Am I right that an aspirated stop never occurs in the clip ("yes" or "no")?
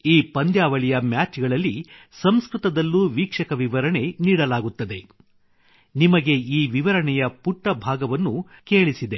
yes